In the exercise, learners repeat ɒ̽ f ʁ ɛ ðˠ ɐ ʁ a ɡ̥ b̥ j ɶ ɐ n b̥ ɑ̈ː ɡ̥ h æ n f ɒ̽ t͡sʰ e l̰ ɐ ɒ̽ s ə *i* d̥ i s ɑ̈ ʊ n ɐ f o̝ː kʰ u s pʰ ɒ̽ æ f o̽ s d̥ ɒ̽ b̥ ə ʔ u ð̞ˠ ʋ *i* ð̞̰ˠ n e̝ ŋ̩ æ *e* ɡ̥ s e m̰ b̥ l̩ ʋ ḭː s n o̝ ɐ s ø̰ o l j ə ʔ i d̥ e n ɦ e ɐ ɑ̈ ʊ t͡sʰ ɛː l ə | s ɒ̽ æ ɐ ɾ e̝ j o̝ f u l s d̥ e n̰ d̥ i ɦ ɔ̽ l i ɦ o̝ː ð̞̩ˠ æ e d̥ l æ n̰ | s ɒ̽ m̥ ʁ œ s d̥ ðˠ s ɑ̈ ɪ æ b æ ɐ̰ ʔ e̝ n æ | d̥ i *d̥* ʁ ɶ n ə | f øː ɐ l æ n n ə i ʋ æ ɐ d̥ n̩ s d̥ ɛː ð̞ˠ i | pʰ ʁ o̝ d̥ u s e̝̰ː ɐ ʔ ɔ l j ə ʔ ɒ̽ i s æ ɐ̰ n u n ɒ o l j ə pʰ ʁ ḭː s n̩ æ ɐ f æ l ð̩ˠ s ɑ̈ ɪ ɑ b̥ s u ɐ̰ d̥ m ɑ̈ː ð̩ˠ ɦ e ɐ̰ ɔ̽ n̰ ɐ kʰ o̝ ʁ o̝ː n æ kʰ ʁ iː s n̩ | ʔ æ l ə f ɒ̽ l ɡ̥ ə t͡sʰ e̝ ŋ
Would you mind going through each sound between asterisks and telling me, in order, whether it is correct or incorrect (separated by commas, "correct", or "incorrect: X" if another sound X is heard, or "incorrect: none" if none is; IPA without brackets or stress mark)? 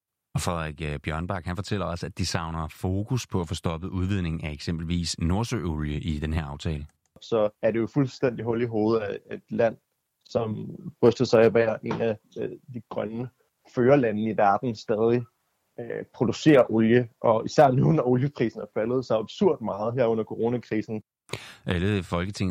incorrect: æ, correct, correct, incorrect: ɡ̥